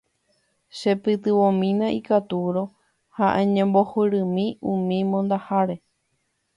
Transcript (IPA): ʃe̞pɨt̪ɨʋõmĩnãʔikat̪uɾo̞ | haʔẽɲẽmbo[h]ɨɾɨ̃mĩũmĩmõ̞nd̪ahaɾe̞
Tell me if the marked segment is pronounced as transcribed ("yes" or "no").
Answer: yes